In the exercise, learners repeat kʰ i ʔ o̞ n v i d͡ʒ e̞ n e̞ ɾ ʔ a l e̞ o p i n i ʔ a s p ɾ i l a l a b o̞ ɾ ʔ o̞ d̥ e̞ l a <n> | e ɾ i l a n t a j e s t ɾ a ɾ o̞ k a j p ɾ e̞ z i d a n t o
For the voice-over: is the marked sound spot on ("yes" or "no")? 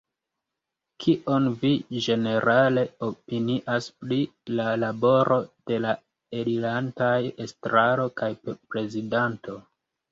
no